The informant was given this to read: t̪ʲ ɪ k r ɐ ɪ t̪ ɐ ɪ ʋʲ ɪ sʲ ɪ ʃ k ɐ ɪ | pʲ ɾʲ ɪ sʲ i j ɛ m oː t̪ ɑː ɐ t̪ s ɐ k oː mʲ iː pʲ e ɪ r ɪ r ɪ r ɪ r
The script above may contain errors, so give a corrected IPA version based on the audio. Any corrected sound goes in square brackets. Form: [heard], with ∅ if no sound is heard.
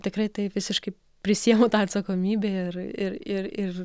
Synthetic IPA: t̪ʲ ɪ k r ɐ ɪ t̪ ɐ ɪ ʋʲ ɪ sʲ ɪ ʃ k ɐ ɪ | pʲ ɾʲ ɪ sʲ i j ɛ m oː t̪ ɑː ɐ t̪ s ɐ k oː mʲ iː [bʲ] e ɪ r ɪ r ɪ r ɪ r

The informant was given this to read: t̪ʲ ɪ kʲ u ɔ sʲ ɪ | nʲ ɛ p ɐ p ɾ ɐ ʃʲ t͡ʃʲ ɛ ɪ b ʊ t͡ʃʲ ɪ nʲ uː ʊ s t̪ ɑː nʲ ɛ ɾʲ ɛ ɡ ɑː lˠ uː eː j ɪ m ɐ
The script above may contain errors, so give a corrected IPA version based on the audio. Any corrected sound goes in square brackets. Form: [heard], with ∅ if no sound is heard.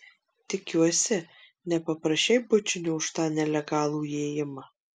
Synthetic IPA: t̪ʲ ɪ kʲ u ɔ sʲ ɪ | nʲ ɛ p ɐ p ɾ ɐ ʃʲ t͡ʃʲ ɛ ɪ b ʊ t͡ʃʲ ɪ nʲ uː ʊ [ʃ] t̪ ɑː nʲ ɛ [lʲ] ɛ ɡ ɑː lˠ uː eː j ɪ m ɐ

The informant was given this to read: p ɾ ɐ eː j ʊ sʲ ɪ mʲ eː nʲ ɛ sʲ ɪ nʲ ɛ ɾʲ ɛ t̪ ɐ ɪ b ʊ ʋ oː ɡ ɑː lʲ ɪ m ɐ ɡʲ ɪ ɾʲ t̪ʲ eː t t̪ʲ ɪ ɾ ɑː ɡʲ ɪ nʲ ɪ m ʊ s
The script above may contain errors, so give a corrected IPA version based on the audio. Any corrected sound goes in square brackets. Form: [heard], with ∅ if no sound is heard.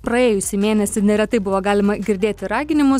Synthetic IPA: p ɾ ɐ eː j ʊ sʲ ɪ mʲ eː nʲ ɛ sʲ ɪ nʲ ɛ ɾʲ ɛ t̪ ɐ ɪ b ʊ ʋ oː ɡ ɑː lʲ ɪ m ɐ ɡʲ ɪ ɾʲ [d̪ʲ] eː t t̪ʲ ɪ ɾ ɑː ɡʲ ɪ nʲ ɪ m ʊ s

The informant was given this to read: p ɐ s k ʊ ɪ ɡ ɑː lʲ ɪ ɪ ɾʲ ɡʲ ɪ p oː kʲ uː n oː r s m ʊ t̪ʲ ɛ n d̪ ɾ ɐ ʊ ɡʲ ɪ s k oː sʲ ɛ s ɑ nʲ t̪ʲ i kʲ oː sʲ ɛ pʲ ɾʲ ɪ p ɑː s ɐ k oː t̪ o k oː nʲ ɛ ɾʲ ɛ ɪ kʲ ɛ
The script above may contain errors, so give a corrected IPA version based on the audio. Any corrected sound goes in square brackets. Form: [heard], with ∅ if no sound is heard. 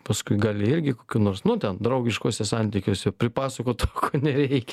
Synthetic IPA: p ɐ s k ʊ ɪ ɡ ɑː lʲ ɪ ɪ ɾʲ ɡʲ ɪ [k] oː kʲ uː n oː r s [n] ʊ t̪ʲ ɛ n d̪ ɾ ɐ ʊ ɡʲ ɪ [ʃ] k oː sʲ ɛ s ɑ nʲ t̪ʲ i kʲ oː sʲ ɛ pʲ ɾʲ ɪ p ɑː s ɐ k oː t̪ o k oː nʲ ɛ ɾʲ ɛ ɪ kʲ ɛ

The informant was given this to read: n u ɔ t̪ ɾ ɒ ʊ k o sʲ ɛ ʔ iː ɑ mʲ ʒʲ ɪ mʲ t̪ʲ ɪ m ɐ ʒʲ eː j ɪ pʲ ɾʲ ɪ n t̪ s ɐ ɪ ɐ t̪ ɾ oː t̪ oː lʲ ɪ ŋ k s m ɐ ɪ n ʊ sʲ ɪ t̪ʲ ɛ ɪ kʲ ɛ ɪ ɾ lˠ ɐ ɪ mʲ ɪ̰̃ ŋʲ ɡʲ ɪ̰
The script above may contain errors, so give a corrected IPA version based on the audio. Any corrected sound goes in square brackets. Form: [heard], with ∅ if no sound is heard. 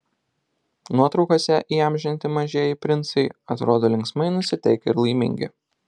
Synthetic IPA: n u ɔ t̪ ɾ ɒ ʊ k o sʲ ɛ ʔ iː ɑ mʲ ʒʲ ɪ [nʲ] t̪ʲ ɪ m ɐ ʒʲ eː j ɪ pʲ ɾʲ ɪ n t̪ s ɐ ɪ ɐ t̪ ɾ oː [d̪] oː lʲ ɪ ŋ k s m ɐ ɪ n ʊ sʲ ɪ t̪ʲ ɛ ɪ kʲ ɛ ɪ ɾ lˠ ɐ ɪ mʲ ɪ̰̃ ŋʲ ɡʲ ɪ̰

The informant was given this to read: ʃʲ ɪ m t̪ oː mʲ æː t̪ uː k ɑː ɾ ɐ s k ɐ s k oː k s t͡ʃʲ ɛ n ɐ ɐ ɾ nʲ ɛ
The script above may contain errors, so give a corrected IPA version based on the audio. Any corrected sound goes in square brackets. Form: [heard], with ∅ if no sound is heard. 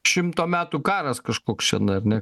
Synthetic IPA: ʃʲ ɪ m t̪ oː mʲ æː t̪ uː k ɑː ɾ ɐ s k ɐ [ʃ] k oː k s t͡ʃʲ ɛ n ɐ ɐ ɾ nʲ ɛ

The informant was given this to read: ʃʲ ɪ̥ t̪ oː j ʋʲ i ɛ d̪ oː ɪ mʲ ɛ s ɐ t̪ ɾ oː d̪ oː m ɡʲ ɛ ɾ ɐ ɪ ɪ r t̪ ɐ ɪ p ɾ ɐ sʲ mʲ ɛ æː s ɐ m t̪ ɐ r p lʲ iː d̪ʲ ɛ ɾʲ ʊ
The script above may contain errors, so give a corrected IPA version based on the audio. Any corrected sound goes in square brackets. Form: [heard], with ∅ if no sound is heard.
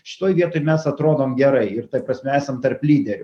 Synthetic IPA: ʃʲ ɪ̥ t̪ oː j ʋʲ i ɛ [t̪] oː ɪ mʲ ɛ s ɐ t̪ ɾ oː d̪ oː m ɡʲ ɛ ɾ ɐ ɪ ɪ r t̪ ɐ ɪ p ɾ ɐ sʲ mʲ ɛ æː s ɐ m t̪ ɐ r p lʲ iː d̪ʲ ɛ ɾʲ ʊ

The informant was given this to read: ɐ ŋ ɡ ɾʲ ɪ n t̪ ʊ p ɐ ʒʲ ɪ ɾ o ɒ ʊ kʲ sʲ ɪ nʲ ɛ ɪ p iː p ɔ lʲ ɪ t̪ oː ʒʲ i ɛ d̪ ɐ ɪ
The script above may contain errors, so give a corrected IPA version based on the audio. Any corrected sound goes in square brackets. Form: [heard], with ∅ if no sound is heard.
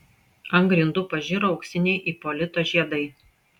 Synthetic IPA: ɐ ŋ ɡ ɾʲ ɪ n [d̪] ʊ p ɐ ʒʲ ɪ ɾ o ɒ ʊ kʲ sʲ ɪ nʲ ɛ ɪ [ʔ] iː p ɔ lʲ ɪ t̪ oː ʒʲ i ɛ d̪ ɐ ɪ

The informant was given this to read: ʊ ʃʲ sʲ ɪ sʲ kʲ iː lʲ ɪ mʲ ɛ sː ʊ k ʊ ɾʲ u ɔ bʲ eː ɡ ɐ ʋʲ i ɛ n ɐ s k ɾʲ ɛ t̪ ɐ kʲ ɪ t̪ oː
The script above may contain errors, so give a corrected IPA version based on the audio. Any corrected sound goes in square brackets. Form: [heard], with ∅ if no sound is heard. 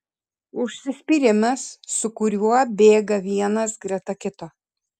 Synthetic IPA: ʊ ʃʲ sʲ ɪ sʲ [pʲ] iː [ɾʲ] ɪ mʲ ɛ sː ʊ k ʊ ɾʲ u ɔ bʲ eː ɡ ɐ ʋʲ i ɛ n ɐ s [ɡ] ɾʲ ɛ t̪ ɐ kʲ ɪ t̪ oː

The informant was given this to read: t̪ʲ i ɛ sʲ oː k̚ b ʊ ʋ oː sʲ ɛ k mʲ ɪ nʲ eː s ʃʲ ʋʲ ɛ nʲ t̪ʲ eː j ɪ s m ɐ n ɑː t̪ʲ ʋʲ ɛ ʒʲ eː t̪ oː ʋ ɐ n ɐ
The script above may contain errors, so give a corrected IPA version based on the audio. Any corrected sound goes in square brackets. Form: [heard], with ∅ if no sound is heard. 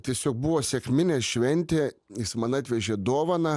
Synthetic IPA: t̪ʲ i ɛ sʲ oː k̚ b ʊ ʋ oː sʲ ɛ k mʲ ɪ nʲ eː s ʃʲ ʋʲ ɛ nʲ t̪ʲ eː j ɪ s m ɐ n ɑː t̪ʲ ʋʲ ɛ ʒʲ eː [d̪] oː ʋ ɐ n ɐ

